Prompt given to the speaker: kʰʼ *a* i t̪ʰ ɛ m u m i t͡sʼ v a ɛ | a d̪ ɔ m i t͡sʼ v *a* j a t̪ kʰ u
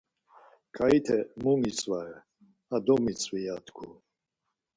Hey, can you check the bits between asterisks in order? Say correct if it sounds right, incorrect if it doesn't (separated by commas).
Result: correct, incorrect